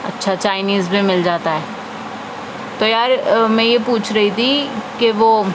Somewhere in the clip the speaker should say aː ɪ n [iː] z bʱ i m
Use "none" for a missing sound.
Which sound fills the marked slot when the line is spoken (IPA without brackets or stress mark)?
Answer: iː